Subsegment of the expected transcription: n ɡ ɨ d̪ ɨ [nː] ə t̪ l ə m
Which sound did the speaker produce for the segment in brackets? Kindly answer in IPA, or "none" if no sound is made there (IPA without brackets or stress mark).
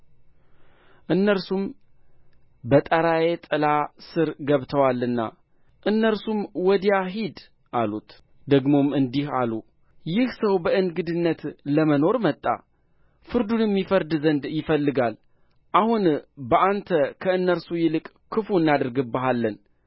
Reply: nː